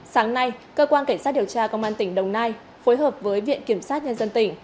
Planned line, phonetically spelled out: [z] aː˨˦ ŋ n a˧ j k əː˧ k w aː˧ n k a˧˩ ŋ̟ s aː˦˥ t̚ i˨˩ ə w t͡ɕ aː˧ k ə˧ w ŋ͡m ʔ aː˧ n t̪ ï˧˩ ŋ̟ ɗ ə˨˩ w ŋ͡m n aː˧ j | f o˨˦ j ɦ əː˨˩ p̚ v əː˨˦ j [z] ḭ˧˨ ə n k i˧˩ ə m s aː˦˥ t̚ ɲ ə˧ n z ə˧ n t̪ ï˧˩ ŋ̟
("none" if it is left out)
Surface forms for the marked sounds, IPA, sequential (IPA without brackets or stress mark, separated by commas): s, v